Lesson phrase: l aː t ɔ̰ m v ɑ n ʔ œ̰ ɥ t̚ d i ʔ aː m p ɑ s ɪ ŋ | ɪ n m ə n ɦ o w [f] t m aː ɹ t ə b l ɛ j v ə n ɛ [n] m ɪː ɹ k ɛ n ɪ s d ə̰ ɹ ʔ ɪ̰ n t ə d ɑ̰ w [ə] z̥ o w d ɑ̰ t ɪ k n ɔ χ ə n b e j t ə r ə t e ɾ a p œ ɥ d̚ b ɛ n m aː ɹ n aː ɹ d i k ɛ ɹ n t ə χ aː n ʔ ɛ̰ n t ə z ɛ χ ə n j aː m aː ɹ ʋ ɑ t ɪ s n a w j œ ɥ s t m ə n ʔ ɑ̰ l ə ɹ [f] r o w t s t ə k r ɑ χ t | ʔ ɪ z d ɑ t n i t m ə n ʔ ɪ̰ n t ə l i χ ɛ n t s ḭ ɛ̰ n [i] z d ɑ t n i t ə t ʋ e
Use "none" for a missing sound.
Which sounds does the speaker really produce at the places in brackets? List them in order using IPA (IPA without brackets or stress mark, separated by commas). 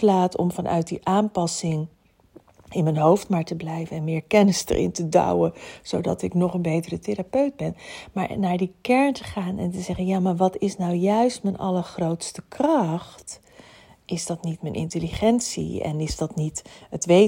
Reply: f, n, ə, χ, ɪ